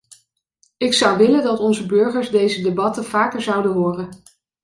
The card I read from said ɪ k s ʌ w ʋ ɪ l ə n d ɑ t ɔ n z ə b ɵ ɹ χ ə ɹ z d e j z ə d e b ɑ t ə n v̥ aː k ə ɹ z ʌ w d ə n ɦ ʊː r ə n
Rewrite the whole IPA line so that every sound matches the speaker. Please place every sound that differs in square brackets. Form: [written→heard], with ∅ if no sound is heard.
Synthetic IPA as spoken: ɪ k s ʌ w ʋ ɪ l ə n d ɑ t ɔ n z ə b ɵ ɹ χ ə ɹ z d e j z ə d e b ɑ t ə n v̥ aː k ə ɹ z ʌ w d ə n ɦ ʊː r ə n